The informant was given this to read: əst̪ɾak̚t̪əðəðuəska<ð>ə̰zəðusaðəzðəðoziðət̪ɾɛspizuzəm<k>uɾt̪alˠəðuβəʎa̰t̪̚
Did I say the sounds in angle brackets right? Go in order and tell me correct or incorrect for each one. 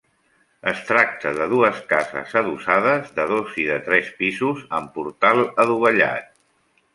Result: incorrect: z, incorrect: p

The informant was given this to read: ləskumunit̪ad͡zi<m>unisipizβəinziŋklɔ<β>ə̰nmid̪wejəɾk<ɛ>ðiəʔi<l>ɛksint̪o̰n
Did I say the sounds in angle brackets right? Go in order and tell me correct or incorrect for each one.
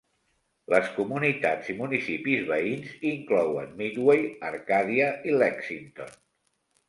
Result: correct, incorrect: w, incorrect: a, correct

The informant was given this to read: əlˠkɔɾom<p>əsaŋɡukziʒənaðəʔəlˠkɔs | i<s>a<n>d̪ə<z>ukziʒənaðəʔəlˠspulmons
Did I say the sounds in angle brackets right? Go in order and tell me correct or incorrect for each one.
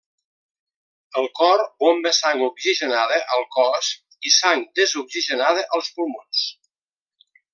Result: incorrect: b, correct, incorrect: ŋ, correct

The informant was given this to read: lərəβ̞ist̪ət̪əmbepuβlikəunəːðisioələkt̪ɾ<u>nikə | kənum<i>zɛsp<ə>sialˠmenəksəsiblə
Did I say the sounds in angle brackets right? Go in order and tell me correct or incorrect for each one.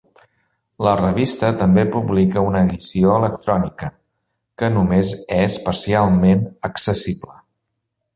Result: incorrect: ɔ, incorrect: e, correct

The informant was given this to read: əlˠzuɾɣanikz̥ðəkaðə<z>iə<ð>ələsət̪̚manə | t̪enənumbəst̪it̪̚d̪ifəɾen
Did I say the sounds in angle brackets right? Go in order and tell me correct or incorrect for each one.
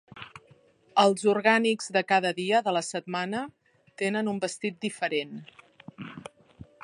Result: incorrect: ð, correct

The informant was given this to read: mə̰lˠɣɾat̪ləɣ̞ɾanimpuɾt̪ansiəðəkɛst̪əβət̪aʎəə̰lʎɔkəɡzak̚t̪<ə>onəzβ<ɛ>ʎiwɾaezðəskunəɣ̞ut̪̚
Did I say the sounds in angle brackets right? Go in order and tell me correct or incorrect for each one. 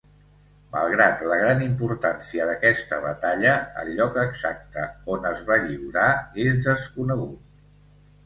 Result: correct, incorrect: a

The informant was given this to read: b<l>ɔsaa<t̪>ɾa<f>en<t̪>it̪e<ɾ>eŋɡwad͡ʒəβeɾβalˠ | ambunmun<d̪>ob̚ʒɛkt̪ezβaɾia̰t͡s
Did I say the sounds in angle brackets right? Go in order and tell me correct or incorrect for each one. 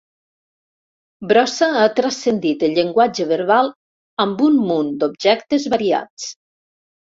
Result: incorrect: ɾ, correct, incorrect: s, incorrect: d̪, incorrect: ʎ, correct

